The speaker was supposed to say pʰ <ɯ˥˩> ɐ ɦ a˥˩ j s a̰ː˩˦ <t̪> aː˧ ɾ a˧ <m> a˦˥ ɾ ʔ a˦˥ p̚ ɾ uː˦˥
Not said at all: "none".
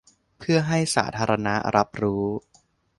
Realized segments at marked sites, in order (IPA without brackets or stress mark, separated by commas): ɯ˥˩, t̪ʰ, n